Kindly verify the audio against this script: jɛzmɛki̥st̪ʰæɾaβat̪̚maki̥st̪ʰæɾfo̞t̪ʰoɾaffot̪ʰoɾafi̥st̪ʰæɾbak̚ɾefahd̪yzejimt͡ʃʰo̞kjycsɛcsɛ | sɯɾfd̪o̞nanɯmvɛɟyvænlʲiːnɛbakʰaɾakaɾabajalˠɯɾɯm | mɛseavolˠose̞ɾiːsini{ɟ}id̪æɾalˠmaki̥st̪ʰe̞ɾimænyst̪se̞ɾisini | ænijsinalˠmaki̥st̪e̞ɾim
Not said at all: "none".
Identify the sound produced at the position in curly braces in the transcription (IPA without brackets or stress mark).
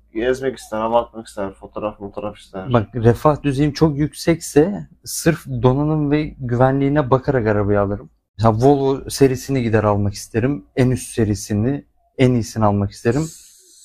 ɟ